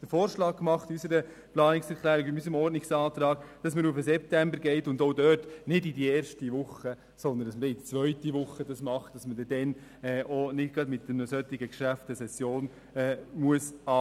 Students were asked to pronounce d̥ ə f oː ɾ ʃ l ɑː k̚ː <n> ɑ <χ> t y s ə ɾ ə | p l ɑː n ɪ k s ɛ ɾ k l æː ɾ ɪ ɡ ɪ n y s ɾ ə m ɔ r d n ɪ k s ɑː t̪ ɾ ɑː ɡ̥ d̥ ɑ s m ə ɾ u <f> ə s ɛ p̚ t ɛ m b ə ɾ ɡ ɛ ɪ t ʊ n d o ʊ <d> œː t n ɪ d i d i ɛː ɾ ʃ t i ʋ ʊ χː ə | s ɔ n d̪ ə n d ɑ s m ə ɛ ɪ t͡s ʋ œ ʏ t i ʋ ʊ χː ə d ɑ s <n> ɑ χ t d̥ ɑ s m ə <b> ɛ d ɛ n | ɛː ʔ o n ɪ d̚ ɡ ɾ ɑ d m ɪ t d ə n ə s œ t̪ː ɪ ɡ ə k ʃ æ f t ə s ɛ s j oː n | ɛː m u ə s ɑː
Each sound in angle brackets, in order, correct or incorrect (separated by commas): incorrect, correct, correct, correct, incorrect, incorrect